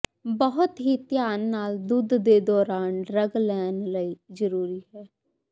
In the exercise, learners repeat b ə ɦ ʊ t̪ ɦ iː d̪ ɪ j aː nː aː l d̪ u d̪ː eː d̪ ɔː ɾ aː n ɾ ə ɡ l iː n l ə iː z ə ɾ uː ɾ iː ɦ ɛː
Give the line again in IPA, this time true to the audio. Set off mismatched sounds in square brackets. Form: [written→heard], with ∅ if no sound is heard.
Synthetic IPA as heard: b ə ɦ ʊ t̪ ɦ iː [d̪→t̪] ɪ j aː nː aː l d̪ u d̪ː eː d̪ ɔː ɾ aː n ɾ ə ɡ l [iː→ɛː] n l ə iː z ə ɾ uː ɾ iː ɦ ɛː

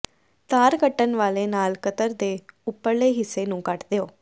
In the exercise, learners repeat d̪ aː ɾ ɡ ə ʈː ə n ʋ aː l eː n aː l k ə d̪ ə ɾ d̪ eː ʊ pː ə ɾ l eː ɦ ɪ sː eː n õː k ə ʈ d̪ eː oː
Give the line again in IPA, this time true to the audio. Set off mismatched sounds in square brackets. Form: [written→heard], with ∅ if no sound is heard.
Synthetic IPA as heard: [d̪→t̪] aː ɾ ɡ ə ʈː ə n ʋ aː l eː n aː l k ə [d̪→t̪] ə ɾ d̪ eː ʊ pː ə ɾ l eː ɦ ɪ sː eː n [õː→ũː] k ə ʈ d̪ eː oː

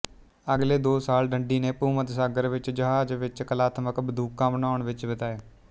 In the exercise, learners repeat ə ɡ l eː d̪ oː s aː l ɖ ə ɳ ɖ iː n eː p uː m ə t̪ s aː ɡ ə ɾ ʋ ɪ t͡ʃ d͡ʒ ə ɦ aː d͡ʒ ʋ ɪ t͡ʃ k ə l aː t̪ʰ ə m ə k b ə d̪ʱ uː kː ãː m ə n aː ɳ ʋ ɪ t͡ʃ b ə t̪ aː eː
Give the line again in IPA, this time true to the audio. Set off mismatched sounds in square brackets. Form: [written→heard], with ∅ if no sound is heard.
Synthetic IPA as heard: ə ɡ l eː d̪ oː s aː l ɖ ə ɳ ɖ iː n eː p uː m ə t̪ s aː ɡ ə ɾ ʋ ɪ t͡ʃ d͡ʒ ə ɦ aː d͡ʒ ʋ ɪ t͡ʃ k ə l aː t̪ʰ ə m ə k b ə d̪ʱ uː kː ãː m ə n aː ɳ ʋ ɪ t͡ʃ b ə t̪ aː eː

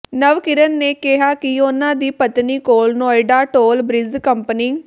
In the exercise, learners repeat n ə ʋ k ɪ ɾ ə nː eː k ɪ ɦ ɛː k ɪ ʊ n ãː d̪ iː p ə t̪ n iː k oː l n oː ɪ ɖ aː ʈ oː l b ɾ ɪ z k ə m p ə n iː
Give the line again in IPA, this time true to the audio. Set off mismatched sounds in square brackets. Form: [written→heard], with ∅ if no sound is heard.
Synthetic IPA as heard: n ə ʋ k ɪ ɾ ə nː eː k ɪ ɦ [ɛː→aː] k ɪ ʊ n ãː d̪ iː p ə t̪ n iː k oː l n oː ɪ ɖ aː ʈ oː l b ɾ ɪ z k ə m p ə n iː

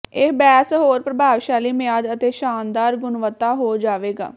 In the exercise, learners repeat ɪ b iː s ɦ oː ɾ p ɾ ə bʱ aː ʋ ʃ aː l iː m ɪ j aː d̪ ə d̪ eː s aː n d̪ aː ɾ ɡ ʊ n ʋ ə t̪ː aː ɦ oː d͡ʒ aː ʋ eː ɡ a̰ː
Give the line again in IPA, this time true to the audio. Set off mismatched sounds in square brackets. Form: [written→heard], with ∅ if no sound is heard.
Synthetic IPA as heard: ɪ b [iː→ɛː] s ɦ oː ɾ p ɾ ə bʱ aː ʋ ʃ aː l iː m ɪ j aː d̪ ə [d̪→t̪] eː [s→ʃ] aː n d̪ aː ɾ ɡ ʊ n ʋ ə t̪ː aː ɦ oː d͡ʒ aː ʋ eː ɡ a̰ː

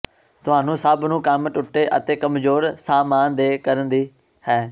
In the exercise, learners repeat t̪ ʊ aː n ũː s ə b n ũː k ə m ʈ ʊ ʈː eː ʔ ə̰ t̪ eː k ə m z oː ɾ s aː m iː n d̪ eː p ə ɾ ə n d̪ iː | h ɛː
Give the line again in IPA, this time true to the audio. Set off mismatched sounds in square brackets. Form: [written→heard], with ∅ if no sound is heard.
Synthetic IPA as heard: t̪ ʊ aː n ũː s ə b n ũː k ə m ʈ ʊ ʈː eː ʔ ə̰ t̪ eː k ə m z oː ɾ s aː m [iː→aː] n d̪ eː [p→k] ə ɾ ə n d̪ iː | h ɛː

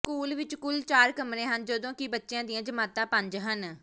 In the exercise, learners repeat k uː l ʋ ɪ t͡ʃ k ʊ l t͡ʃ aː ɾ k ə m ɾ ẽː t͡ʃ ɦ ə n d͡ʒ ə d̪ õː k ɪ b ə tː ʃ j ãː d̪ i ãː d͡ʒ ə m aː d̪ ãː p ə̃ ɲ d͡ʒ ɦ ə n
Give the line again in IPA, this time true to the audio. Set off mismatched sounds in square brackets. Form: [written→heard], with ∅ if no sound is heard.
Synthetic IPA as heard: k uː l ʋ ɪ t͡ʃ k ʊ l t͡ʃ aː ɾ k ə m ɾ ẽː [t͡ʃ→∅] ɦ ə n d͡ʒ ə d̪ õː k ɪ b ə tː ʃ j ãː d̪ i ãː d͡ʒ ə m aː [d̪→t̪] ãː p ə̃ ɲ d͡ʒ ɦ ə n

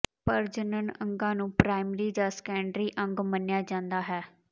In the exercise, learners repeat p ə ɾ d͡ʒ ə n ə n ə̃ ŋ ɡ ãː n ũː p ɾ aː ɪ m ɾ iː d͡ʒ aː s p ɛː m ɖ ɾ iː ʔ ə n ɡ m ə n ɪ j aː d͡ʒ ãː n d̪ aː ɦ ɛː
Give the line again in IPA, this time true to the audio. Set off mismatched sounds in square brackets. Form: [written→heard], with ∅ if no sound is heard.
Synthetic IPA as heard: p ə ɾ d͡ʒ ə n ə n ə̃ ŋ ɡ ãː n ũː p ɾ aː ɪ m ɾ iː d͡ʒ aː s [p→k] ɛː [m→ɳ] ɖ ɾ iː ʔ ə [n→ŋ] ɡ m ə n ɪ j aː d͡ʒ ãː n d̪ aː ɦ ɛː

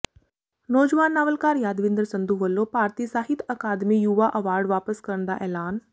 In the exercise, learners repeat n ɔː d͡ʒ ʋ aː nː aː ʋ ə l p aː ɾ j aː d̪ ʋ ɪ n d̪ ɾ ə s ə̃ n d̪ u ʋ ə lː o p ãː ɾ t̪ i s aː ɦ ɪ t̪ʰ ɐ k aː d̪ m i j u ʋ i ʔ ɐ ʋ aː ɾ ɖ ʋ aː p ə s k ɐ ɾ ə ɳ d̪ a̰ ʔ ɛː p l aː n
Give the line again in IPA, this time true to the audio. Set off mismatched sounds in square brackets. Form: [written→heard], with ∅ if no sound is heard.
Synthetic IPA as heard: n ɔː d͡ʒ ʋ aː nː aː ʋ ə l [p→k] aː ɾ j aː d̪ ʋ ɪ n d̪ ɾ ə s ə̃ n d̪ u ʋ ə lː o p [ãː→aː] ɾ t̪ i s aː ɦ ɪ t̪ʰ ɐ k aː d̪ m i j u ʋ [i→a] ʔ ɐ ʋ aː ɾ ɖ ʋ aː p ə s k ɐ ɾ ə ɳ d̪ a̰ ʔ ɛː [p→∅] l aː n

